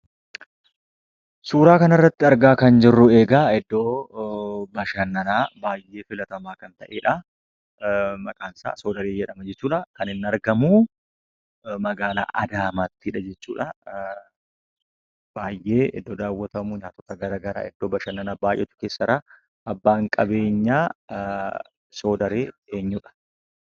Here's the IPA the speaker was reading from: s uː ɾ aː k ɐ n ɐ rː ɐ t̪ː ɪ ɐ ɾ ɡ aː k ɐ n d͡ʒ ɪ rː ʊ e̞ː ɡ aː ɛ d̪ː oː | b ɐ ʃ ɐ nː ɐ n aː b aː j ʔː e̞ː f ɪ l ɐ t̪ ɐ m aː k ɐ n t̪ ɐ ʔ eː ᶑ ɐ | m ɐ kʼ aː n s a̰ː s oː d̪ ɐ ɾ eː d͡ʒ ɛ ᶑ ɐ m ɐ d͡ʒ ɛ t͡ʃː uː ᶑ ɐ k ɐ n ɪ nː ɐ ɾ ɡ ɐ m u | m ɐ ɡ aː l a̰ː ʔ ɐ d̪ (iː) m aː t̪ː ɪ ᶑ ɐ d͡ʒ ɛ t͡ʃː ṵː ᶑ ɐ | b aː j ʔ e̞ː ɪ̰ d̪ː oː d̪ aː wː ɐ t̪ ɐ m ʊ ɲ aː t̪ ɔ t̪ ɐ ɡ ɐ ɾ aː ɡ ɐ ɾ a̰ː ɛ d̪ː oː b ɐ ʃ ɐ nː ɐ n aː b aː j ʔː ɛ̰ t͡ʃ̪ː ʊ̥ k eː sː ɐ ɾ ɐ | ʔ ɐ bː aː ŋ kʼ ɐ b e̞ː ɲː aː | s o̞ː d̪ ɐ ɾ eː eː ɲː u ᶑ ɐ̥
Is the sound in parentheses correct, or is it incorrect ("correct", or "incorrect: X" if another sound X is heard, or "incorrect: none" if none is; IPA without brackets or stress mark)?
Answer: incorrect: aː